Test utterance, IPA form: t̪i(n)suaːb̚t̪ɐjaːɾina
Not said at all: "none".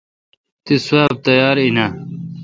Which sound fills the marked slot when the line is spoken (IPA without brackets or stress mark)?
none